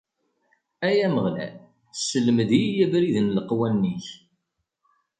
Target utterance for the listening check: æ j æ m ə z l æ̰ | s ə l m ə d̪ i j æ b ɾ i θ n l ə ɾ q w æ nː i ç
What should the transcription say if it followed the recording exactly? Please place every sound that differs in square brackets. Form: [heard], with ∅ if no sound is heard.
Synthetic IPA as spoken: æ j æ m ə [ʁ] l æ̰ | s ə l m ə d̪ i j æ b ɾ i [ð] n l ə [∅] q w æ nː i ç